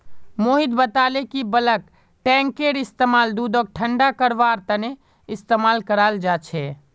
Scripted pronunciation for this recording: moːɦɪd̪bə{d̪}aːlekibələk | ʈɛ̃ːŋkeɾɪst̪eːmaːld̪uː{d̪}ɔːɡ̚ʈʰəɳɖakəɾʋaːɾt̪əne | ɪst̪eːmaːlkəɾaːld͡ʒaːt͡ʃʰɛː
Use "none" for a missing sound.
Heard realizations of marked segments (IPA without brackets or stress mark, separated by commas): t̪, d̪